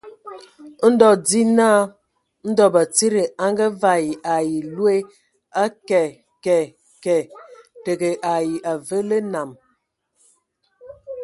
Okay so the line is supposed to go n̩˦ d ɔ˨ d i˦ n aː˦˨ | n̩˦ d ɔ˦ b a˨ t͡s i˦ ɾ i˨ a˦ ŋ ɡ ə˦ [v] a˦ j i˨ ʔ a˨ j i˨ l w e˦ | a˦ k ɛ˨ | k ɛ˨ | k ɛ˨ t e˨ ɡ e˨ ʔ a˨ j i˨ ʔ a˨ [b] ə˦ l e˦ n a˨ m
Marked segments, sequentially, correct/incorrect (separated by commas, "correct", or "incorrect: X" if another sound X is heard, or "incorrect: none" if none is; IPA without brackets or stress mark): correct, incorrect: v